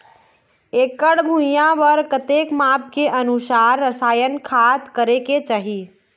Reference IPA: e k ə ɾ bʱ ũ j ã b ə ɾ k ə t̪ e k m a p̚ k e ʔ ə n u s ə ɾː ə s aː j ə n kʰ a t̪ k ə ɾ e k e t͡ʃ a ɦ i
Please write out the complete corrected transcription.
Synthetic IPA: e k ə ɽ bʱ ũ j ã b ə ɾ k ə t̪ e k m a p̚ k e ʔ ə n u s a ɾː ə s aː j ə n kʰ a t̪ k ə ɾ e k e t͡ʃ a ɦ i